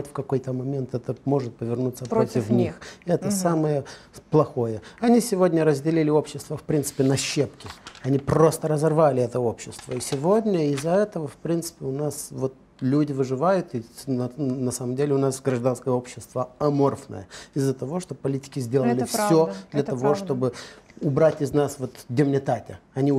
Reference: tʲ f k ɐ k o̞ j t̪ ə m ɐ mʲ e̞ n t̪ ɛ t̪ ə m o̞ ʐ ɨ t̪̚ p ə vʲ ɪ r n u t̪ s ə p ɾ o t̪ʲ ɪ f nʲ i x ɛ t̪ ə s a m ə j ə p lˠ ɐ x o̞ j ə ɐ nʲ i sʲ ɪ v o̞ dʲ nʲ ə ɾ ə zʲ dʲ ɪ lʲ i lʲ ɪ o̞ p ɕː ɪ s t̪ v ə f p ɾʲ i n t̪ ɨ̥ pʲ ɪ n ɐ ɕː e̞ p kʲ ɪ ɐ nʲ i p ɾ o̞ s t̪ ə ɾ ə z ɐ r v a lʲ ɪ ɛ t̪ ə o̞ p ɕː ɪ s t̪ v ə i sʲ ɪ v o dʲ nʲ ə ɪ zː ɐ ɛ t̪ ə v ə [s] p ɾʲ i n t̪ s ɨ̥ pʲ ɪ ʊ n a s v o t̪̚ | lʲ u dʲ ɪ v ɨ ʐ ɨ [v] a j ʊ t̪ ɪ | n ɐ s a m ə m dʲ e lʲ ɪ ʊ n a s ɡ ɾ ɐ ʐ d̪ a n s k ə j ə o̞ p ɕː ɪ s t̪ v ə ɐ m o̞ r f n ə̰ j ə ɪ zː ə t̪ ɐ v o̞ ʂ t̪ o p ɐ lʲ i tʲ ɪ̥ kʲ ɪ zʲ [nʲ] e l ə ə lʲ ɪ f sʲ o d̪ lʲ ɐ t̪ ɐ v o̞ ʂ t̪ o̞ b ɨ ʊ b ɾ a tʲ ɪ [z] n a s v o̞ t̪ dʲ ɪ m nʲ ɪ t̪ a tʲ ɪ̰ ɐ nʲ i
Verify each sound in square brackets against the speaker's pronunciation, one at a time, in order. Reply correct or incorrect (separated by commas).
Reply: incorrect, correct, incorrect, correct